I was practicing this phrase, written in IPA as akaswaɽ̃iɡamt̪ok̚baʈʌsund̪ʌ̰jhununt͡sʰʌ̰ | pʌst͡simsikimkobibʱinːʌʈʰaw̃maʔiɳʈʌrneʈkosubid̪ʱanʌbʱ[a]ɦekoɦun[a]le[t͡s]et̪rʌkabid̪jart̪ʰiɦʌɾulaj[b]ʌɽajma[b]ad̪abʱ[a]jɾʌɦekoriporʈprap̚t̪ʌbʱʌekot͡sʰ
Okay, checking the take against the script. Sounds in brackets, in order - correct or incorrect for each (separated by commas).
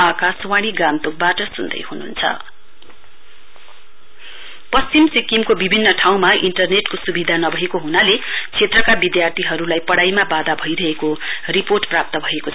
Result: incorrect, correct, incorrect, incorrect, correct, incorrect